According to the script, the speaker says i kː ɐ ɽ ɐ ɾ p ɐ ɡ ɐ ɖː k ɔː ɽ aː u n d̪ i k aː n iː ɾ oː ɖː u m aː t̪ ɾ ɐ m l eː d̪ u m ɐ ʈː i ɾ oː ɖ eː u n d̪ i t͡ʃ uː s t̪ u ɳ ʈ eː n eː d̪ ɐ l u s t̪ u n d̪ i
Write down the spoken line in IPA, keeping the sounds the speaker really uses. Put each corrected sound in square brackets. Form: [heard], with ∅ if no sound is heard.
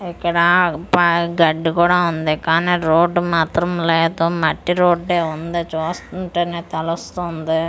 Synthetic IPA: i kː ɐ ɽ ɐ [∅] p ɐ ɡ ɐ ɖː k [uː] ɽ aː u n d̪ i k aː n iː ɾ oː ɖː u m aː t̪ ɾ ɐ m l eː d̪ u m ɐ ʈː i ɾ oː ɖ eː u n d̪ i t͡ʃ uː s t̪ u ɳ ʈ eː n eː [t̪] ɐ l u s t̪ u n d̪ i